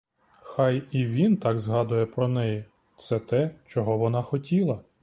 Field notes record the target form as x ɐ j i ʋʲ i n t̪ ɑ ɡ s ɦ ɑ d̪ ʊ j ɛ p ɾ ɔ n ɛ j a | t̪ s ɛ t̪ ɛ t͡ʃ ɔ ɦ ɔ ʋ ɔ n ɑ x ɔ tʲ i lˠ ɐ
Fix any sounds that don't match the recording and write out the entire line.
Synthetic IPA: x ɑ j i ʋʲ i n t̪ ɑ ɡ z ɦ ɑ d̪ ʊ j ɛ p ɾ ɔ n ɛ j i | t̪ s ɛ t̪ ɛ t͡ʃ ɔ ɦ ɔ ʋ ɔ n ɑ x ɔ tʲ i lˠ ɐ